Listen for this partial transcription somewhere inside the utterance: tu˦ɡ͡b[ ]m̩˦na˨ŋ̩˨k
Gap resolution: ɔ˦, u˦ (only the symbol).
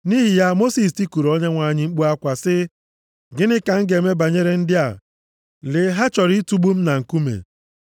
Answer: u˦